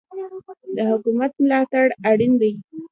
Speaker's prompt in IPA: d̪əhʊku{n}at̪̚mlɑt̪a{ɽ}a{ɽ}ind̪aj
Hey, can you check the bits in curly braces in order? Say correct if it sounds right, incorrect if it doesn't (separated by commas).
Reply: incorrect, correct, correct